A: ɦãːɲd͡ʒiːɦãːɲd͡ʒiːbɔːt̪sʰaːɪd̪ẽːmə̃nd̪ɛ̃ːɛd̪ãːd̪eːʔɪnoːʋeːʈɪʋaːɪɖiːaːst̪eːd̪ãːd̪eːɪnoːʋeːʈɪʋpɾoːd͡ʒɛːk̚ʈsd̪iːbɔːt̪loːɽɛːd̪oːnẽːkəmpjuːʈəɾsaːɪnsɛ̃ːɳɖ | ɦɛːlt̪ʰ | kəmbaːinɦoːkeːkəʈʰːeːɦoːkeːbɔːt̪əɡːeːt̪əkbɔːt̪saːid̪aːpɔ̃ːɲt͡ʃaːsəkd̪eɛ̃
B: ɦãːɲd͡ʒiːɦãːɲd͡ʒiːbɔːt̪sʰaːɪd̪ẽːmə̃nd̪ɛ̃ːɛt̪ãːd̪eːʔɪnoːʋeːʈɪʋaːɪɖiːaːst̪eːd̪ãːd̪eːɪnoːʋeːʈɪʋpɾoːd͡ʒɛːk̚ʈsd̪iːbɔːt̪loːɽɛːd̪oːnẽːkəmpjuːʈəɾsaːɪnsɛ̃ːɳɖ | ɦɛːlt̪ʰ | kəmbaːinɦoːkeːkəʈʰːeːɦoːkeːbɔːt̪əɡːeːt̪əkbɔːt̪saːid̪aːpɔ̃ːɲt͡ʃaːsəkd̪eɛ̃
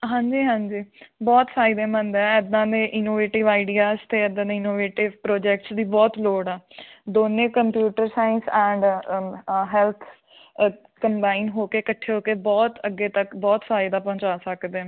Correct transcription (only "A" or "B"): A